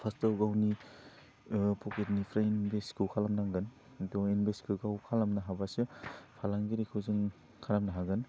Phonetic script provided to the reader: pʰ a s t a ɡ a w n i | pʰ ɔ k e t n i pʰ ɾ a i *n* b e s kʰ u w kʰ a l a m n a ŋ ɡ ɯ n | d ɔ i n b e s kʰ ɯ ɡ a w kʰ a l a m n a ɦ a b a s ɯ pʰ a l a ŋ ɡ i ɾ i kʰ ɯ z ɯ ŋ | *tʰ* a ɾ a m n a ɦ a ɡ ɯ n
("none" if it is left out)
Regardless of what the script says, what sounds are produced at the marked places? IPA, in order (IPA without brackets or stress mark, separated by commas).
n, kʰ